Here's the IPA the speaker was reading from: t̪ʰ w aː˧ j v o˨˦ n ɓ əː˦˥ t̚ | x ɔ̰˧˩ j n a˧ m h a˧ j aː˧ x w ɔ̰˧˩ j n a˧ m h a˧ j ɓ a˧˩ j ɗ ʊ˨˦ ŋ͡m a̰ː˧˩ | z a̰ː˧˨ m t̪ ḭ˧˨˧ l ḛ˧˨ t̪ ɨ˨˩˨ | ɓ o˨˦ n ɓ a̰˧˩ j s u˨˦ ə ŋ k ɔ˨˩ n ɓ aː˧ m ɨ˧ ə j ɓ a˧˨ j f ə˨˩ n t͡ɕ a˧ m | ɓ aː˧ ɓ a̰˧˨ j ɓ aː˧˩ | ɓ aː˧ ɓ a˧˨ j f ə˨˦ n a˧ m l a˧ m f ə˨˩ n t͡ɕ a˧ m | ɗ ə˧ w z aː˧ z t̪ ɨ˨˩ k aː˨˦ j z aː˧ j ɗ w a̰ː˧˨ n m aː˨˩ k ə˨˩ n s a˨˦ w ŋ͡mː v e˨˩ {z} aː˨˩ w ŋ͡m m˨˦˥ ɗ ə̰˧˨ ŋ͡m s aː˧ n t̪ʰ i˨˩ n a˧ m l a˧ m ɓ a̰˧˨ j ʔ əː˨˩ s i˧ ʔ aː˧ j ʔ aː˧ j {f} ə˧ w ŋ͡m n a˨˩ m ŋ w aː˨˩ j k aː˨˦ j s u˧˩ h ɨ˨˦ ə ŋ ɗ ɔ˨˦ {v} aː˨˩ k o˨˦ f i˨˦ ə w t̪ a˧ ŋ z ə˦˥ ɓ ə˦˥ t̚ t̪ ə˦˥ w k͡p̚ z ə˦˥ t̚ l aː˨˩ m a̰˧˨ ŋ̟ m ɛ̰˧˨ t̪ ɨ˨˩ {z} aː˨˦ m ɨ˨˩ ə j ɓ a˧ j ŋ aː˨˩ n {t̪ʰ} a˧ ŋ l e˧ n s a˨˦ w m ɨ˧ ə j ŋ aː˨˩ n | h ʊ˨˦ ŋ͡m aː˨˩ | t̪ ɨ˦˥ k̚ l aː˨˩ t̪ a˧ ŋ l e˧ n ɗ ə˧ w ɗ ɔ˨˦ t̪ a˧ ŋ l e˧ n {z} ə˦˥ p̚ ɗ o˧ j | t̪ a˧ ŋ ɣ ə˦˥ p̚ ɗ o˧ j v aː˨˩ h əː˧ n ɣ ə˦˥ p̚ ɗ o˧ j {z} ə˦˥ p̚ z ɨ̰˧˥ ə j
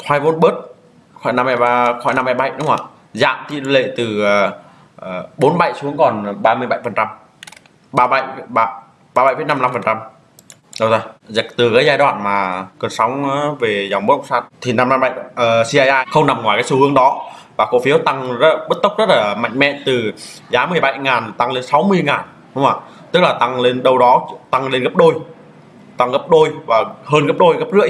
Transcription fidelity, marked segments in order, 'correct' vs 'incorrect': correct, incorrect: x, correct, correct, incorrect: t̪, incorrect: ɣ, incorrect: ɣ

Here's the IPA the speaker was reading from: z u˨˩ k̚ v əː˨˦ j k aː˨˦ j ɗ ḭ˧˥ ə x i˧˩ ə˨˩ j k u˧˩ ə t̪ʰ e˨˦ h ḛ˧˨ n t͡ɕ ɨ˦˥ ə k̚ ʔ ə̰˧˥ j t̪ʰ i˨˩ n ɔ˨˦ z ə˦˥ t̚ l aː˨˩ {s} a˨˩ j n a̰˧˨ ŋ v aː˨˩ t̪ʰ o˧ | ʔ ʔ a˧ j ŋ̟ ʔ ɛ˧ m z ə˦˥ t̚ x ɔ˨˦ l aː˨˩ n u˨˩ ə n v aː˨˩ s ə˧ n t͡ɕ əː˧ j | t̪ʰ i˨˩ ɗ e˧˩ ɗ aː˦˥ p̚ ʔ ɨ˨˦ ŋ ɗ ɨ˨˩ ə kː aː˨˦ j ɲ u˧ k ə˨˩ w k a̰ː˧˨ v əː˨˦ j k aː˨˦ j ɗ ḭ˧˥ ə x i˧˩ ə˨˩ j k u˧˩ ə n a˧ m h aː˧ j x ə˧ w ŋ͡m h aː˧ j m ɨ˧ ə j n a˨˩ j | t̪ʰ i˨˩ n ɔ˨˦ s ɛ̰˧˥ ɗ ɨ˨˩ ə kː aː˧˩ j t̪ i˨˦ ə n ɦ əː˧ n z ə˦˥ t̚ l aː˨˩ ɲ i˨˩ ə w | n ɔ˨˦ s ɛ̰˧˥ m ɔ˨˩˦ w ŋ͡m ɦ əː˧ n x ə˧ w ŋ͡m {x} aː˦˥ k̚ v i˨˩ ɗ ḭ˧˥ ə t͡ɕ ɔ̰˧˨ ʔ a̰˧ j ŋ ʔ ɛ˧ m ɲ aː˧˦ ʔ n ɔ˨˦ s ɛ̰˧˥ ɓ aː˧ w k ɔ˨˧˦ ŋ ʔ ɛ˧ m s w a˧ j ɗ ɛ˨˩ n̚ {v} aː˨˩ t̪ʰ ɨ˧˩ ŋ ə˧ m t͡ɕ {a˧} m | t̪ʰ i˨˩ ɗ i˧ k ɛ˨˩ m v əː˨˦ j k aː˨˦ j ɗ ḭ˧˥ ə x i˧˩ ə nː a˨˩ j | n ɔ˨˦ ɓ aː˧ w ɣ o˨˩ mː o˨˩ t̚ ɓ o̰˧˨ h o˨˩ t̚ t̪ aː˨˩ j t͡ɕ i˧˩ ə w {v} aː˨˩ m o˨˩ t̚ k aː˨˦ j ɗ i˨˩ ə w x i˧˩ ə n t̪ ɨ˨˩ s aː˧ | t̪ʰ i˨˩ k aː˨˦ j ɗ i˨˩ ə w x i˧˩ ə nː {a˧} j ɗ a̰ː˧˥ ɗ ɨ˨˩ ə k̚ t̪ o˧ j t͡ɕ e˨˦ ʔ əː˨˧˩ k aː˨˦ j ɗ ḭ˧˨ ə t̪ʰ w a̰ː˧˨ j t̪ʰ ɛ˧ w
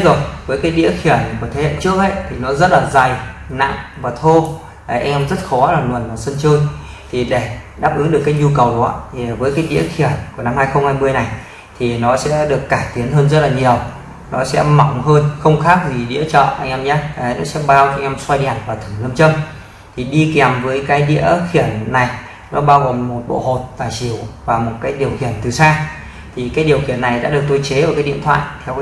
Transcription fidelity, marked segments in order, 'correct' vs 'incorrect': incorrect: z, correct, correct, incorrect: ə˧, correct, incorrect: a˨˩

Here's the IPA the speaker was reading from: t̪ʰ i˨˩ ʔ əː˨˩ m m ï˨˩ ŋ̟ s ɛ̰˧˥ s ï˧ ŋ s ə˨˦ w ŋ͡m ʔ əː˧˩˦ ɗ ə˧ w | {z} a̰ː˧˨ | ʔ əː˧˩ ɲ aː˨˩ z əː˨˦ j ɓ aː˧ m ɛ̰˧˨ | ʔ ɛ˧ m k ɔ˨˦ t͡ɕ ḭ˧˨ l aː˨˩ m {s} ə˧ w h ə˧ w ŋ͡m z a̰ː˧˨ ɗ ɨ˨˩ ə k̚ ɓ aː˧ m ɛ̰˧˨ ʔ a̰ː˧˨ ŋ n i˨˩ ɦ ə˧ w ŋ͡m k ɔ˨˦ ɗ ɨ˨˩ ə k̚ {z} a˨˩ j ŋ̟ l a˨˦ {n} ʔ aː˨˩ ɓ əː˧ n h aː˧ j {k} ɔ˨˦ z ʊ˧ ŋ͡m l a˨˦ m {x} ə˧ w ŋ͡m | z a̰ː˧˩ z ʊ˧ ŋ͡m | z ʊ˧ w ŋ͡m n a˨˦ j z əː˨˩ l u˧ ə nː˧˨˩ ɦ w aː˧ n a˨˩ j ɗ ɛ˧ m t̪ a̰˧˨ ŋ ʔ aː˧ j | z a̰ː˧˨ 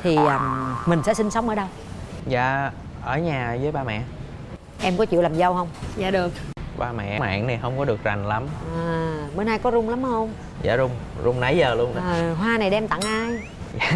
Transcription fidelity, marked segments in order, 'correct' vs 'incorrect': correct, incorrect: z, correct, incorrect: m, correct, incorrect: h

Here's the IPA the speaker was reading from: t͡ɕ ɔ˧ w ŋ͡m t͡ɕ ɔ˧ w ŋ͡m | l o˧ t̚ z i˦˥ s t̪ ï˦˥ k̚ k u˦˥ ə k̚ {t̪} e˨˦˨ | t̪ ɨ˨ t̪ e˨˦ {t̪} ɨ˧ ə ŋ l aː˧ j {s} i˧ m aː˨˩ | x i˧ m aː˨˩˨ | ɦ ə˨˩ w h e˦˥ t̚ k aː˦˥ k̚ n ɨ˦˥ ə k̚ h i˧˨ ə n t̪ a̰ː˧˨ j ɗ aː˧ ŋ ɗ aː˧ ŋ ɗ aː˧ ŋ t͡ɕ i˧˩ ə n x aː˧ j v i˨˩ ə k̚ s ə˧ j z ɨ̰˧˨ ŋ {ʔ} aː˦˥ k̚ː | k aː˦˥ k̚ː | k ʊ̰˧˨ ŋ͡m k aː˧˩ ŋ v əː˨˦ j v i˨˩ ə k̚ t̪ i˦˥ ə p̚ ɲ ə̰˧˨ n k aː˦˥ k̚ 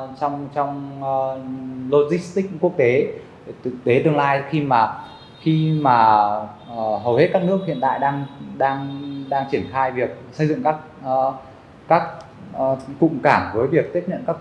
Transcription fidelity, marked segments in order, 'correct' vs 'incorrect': correct, correct, incorrect: x, incorrect: k

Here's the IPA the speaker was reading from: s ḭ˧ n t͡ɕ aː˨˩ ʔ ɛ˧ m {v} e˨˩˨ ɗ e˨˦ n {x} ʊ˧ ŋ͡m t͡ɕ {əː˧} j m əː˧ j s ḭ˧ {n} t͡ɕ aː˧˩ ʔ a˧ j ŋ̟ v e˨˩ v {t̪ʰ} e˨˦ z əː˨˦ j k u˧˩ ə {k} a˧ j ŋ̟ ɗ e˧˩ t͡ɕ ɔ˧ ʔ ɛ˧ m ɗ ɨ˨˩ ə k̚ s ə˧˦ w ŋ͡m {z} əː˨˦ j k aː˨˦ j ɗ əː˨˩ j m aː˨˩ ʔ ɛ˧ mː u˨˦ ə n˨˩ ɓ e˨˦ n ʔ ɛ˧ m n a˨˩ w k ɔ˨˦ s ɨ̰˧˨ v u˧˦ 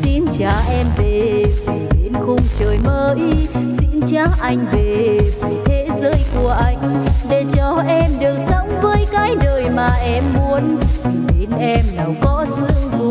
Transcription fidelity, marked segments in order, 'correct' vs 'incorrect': correct, correct, incorrect: əː˨˩, correct, correct, incorrect: ʔ, incorrect: v

